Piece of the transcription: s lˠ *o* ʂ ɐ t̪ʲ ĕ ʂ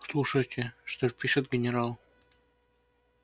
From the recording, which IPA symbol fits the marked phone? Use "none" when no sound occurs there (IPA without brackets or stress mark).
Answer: u